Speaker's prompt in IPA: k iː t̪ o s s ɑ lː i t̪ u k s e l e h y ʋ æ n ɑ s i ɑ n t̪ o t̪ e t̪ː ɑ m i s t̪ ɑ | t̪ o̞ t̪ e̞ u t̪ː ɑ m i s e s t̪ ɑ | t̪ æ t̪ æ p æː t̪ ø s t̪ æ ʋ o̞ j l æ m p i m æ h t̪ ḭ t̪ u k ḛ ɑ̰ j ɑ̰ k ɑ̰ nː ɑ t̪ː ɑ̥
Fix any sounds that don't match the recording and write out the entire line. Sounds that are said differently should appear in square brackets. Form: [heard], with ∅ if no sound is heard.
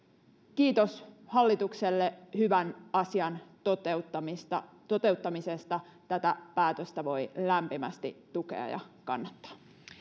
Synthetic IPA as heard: k iː t̪ o s [h] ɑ lː i t̪ u k s e [lː] e h y ʋ æ n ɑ s i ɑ n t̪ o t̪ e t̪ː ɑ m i s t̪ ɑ | t̪ o̞ t̪ e̞ u t̪ː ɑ m i s e s t̪ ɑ | t̪ æ t̪ æ p æː t̪ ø s t̪ æ ʋ o̞ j l æ m p i m æ [s] t̪ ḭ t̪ u k ḛ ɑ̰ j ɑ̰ k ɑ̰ nː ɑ t̪ː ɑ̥